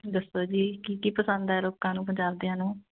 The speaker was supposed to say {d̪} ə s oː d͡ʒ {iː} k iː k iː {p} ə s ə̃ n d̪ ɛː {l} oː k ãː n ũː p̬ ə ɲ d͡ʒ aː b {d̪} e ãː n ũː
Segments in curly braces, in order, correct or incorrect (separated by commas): correct, correct, correct, correct, correct